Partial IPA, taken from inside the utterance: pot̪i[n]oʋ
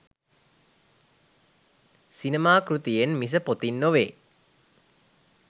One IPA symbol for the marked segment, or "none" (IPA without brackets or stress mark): nː